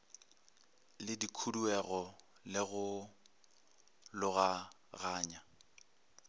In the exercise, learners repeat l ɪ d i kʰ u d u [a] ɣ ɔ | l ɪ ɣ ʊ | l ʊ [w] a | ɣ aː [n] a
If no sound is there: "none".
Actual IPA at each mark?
ɛ, ɣ, ɲ

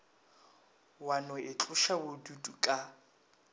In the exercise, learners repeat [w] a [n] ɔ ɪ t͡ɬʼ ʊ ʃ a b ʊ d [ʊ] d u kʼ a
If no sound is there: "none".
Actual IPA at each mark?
w, n, u

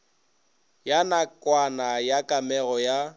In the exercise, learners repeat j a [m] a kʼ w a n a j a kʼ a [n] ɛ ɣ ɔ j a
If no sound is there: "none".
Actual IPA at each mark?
n, m

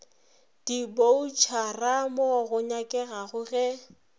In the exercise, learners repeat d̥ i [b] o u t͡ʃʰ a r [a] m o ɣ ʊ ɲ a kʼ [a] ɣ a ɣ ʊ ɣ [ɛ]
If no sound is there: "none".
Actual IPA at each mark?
b, a, ɛ, ɛ

